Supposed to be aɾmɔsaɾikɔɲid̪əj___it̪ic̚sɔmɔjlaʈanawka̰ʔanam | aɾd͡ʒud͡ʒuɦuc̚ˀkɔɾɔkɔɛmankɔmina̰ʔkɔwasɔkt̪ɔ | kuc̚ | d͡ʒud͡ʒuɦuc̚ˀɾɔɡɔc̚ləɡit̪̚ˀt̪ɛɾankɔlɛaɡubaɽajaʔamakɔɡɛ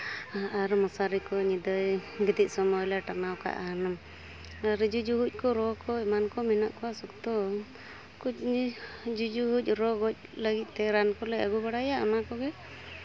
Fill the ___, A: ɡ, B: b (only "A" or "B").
A